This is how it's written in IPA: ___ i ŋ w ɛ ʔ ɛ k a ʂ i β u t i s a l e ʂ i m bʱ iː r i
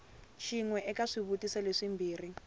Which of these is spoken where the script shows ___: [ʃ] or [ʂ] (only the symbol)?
ʃ